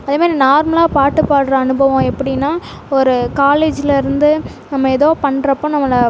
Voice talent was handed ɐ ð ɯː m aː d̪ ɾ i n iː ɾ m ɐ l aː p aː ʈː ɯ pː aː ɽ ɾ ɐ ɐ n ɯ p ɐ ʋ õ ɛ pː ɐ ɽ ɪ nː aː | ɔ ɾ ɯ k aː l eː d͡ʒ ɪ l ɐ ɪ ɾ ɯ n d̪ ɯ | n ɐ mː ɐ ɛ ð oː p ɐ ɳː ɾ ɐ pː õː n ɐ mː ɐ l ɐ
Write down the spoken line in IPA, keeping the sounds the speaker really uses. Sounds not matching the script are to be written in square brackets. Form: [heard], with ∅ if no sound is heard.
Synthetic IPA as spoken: ɐ ð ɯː m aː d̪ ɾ i n [aː] ɾ m ɐ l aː p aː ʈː ɯ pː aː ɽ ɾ ɐ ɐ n ɯ [b] ɐ ʋ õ ɛ pː ɐ ɽ ɪ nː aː | ɔ ɾ ɯ k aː l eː d͡ʒ ɪ l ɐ ɪ ɾ ɯ n d̪ ɯ | n ɐ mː ɐ ɛ ð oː p ɐ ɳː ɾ ɐ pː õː n ɐ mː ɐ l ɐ